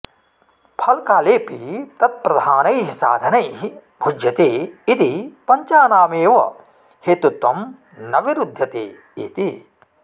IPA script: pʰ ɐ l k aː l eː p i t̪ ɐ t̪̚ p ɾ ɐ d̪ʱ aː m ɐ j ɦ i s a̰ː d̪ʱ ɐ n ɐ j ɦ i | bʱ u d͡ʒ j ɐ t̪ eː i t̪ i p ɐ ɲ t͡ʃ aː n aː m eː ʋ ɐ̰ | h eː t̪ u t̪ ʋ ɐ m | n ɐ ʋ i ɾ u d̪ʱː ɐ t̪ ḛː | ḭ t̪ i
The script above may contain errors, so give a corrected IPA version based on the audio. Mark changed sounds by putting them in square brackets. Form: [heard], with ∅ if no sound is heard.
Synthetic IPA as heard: pʰ ɐ l k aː l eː p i t̪ ɐ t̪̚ p ɾ ɐ d̪ʱ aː [n] ɐ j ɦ i s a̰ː d̪ʱ ɐ n ɐ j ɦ i | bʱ u d͡ʒ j ɐ t̪ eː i t̪ i p ɐ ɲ t͡ʃ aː n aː m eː ʋ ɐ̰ | h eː t̪ u t̪ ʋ ɐ m | n ɐ ʋ i ɾ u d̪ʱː ɐ t̪ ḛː | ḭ t̪ i

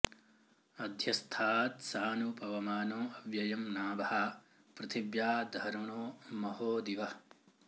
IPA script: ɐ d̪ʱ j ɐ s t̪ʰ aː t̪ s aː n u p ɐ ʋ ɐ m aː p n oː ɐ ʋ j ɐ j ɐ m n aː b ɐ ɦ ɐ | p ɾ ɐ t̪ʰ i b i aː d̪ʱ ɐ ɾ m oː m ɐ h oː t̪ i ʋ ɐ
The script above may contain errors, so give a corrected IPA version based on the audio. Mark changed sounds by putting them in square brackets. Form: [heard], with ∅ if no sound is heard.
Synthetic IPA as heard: ɐ d̪ʱ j ɐ s t̪ʰ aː t̪ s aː n u p ɐ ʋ ɐ m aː [∅] n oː ɐ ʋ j ɐ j ɐ m n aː b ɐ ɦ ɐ | p ɾ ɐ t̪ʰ i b [j] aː d̪ʱ ɐ ɾ [ɳ] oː m ɐ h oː [d̪] i ʋ ɐ

